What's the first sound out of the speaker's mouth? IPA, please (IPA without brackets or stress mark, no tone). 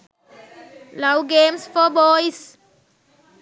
l